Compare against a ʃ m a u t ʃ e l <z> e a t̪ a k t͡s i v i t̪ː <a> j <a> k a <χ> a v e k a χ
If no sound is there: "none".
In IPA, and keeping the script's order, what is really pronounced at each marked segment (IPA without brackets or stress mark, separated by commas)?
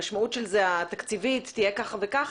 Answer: z, i, e, χ